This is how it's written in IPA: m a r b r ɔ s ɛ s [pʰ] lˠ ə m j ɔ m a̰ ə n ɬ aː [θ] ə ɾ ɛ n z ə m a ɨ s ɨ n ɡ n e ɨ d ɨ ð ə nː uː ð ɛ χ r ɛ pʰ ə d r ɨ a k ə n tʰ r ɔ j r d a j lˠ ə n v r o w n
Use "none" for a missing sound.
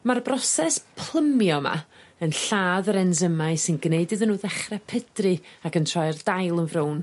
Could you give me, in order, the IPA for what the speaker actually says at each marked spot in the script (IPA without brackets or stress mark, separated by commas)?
pʰ, ð